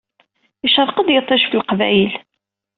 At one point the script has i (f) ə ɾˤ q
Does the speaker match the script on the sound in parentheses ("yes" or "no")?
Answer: no